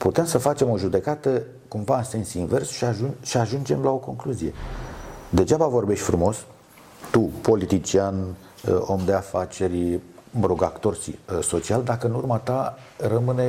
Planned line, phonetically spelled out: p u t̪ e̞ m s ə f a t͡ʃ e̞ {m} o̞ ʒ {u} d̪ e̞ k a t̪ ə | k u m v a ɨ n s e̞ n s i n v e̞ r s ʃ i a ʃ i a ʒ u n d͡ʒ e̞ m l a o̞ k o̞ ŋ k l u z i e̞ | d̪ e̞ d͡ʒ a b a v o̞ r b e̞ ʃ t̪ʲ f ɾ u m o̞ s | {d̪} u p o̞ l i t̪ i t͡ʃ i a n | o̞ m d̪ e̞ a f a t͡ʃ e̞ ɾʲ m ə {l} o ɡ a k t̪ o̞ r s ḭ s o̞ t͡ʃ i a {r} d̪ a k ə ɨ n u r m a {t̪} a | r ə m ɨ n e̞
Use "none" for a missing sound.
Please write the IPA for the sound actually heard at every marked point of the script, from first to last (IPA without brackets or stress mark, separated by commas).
m, u, t̪, ɾ, l, t̪